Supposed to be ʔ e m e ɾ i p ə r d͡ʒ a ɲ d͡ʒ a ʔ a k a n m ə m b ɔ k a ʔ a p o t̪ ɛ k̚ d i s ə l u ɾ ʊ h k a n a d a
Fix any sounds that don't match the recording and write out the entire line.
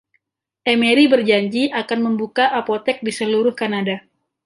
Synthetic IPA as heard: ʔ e m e ɾ i b ə r d͡ʒ a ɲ d͡ʒ i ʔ a k a n m ə m b u k a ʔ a p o t̪ ɛ k̚ d i s ə l u ɾ ʊ h k a n a d a